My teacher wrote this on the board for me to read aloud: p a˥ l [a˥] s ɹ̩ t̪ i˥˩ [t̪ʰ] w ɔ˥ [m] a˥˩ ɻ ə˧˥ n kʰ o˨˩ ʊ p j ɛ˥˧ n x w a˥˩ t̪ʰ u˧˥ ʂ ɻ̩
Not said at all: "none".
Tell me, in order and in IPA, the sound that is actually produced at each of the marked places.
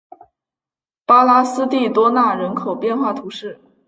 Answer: a˥, t̪, n

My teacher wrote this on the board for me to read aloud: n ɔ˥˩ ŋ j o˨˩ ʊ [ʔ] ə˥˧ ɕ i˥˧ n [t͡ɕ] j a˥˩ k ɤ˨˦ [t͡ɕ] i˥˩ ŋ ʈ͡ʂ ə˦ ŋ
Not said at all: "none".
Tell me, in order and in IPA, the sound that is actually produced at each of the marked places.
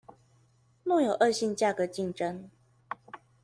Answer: ʔ, t͡ɕ, t͡ɕ

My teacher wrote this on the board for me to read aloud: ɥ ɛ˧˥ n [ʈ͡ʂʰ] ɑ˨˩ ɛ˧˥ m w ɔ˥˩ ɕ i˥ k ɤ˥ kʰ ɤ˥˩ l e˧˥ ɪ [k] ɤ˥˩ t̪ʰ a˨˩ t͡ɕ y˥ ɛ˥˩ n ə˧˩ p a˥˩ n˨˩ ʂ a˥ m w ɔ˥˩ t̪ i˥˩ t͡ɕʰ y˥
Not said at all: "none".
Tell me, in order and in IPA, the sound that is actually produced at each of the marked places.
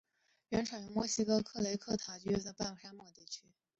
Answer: ʈ͡ʂʰ, kʰ

